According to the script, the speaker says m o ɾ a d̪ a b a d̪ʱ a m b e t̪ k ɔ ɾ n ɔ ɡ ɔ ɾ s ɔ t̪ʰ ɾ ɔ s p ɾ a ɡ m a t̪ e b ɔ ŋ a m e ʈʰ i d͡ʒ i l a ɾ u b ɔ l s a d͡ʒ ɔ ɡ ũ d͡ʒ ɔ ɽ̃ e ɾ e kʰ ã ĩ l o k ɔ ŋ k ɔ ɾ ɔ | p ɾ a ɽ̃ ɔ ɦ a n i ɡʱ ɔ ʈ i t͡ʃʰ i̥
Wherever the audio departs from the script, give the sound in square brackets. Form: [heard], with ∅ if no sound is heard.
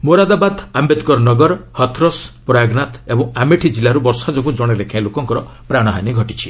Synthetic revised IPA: m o ɾ a d̪ a b a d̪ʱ a m b e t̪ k ɔ ɾ n ɔ ɡ ɔ ɾ [h] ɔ t̪ʰ ɾ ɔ s p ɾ a ɡ [n] a t̪ e b ɔ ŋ a m e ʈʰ i d͡ʒ i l a ɾ u b ɔ [ɾ] s a d͡ʒ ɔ ɡ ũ d͡ʒ ɔ ɽ̃ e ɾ e kʰ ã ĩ l o k ɔ ŋ k ɔ ɾ ɔ | p ɾ a ɽ̃ ɔ ɦ a n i ɡʱ ɔ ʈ i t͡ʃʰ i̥